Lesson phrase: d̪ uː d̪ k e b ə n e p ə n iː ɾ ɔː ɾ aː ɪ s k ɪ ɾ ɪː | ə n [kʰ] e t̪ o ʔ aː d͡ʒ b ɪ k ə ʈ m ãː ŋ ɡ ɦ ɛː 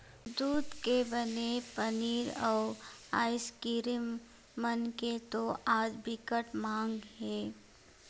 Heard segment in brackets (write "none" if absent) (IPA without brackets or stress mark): k